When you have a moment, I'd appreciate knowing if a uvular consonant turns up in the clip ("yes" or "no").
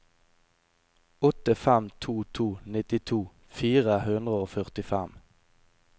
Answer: yes